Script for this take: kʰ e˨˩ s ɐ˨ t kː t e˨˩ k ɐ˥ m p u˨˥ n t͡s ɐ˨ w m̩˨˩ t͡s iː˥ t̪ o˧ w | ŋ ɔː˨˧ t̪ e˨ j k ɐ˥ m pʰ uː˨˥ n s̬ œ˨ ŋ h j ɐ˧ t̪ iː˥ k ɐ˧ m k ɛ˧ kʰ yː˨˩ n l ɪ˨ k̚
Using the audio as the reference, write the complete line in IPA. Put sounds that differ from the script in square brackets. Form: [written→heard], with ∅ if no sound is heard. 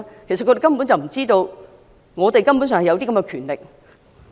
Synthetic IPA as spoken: kʰ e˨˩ s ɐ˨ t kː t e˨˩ k ɐ˥ m p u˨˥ n t͡s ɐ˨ w m̩˨˩ t͡s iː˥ t̪ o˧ w | ŋ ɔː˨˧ t̪ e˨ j k ɐ˥ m [pʰ→p] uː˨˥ n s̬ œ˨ ŋ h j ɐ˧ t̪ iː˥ k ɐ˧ m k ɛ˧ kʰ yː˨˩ n l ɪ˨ k̚